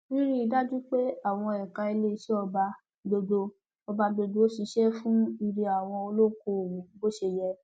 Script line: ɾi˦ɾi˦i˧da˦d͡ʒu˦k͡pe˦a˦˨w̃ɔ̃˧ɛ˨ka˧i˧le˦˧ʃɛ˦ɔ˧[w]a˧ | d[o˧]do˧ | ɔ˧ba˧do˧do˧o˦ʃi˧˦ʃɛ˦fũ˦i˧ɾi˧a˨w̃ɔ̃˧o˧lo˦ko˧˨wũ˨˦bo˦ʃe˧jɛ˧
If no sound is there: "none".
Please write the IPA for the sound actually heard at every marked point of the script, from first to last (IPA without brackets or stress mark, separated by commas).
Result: b, o˧